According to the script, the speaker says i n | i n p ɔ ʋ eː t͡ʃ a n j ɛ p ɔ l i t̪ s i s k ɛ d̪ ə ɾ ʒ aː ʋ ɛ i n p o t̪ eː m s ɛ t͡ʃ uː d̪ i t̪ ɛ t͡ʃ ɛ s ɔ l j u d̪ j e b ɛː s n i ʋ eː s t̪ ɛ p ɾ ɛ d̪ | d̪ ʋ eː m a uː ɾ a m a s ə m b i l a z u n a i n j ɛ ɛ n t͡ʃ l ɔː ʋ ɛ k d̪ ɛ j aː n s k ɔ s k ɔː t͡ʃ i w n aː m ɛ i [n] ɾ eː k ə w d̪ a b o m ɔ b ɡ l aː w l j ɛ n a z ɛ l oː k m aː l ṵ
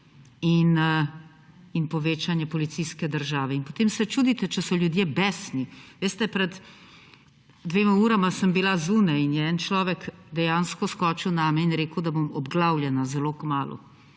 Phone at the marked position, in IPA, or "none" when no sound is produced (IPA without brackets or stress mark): n